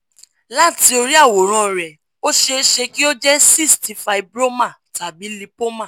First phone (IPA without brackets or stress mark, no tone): l